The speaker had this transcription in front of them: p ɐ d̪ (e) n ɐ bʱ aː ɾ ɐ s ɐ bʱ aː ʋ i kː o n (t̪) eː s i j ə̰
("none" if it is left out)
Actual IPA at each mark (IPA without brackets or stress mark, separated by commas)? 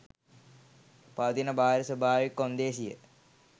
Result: i, d̪